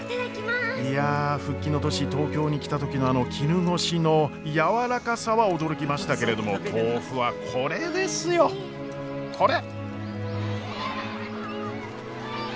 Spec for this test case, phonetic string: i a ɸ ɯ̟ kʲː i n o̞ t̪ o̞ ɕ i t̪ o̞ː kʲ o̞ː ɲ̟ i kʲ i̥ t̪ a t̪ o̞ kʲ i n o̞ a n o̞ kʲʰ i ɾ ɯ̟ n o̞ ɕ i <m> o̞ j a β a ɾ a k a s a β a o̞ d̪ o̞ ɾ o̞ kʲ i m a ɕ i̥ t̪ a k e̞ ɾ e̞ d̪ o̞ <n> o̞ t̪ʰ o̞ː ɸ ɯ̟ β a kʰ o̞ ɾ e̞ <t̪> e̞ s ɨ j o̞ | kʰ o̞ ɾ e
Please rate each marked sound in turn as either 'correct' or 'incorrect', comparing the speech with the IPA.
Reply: incorrect: n, incorrect: m, incorrect: d̪

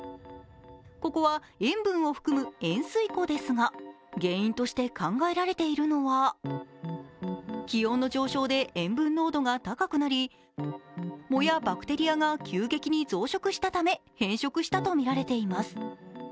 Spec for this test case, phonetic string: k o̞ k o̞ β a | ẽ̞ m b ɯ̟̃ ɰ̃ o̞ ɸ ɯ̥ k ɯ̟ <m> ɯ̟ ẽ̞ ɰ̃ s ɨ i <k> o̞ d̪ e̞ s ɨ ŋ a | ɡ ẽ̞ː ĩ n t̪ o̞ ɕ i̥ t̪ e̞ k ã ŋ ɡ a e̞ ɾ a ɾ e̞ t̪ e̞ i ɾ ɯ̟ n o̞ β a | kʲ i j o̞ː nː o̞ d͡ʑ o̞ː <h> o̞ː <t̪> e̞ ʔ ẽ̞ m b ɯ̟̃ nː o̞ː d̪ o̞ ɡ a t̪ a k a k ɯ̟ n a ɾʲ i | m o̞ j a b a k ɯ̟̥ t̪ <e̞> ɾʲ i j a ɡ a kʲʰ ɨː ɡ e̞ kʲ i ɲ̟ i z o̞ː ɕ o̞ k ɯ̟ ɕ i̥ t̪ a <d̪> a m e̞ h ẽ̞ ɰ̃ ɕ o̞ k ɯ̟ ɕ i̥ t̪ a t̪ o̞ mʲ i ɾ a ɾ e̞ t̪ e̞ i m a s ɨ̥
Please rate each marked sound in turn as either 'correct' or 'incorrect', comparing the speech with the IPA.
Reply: correct, correct, incorrect: ɕ, incorrect: d̪, correct, incorrect: t̪

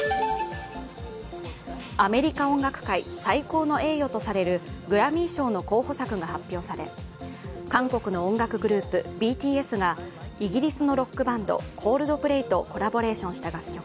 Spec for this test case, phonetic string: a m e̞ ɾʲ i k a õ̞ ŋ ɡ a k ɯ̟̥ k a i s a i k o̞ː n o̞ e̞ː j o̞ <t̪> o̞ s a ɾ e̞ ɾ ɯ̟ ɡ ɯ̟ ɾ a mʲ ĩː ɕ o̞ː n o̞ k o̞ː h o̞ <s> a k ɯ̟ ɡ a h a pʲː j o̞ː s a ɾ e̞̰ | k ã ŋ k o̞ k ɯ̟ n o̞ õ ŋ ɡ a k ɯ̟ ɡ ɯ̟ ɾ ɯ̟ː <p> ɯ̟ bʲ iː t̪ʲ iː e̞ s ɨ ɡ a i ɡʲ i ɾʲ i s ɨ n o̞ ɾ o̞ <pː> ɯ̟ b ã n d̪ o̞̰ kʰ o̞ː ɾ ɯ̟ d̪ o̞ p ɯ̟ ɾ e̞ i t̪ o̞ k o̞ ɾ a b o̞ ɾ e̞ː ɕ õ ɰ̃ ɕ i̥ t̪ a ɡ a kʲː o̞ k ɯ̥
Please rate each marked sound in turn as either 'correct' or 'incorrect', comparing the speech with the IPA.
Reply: correct, correct, correct, incorrect: kː

